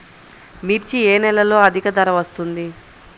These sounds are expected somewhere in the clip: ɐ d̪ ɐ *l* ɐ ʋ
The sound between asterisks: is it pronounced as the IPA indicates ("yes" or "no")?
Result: no